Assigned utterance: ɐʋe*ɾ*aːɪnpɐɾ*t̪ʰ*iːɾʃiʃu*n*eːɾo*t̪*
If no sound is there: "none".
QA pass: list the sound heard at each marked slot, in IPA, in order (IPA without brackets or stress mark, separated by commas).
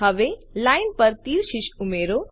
l, t̪, m, none